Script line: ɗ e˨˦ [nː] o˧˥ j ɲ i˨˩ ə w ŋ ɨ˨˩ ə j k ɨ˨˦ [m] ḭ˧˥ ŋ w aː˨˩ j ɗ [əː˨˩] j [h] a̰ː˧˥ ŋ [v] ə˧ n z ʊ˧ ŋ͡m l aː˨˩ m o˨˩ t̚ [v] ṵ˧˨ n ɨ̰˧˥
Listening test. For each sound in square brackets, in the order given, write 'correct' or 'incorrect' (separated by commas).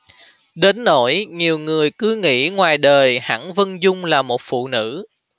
correct, incorrect, correct, correct, correct, incorrect